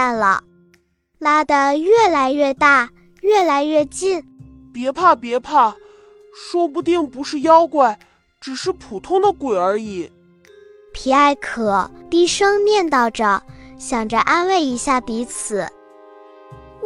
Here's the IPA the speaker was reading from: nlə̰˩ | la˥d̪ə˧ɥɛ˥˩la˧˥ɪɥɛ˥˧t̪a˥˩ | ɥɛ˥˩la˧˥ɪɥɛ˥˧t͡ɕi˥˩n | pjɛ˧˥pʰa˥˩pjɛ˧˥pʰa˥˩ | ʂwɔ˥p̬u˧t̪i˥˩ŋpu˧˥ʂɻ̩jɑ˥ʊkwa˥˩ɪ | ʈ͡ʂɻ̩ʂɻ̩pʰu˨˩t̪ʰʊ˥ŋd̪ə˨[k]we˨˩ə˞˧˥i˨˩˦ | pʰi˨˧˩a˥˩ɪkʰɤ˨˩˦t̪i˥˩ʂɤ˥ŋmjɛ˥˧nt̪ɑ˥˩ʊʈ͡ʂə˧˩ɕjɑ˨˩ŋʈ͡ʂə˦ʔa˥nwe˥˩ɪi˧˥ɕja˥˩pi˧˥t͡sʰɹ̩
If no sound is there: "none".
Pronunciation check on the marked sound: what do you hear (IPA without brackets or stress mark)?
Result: k